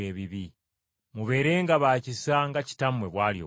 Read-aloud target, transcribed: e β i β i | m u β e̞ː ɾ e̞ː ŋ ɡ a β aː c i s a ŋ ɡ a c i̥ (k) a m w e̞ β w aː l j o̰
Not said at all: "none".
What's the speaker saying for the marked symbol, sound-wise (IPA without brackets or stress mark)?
t